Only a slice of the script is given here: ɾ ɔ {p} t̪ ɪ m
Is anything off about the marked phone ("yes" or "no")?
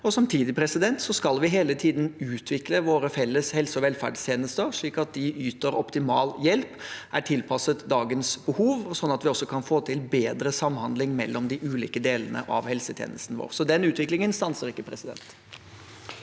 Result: no